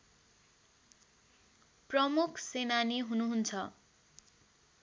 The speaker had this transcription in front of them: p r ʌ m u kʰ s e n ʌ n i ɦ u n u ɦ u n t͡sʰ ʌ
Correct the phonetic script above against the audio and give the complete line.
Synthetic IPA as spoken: p r ʌ m u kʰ s e n a n i ɦ u n u ɦ u n t͡sʰ ʌ